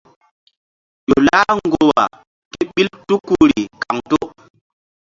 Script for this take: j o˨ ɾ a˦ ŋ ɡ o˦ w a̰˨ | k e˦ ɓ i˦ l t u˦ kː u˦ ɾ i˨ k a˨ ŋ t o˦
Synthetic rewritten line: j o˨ l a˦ ŋ ɡ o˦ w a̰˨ | k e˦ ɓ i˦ l t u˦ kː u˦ ɾ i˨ k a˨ ŋ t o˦